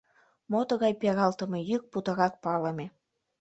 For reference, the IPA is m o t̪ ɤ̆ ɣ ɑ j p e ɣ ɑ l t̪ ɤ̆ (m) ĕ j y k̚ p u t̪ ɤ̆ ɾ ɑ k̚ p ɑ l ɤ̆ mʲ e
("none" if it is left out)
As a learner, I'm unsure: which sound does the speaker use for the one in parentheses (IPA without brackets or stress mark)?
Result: m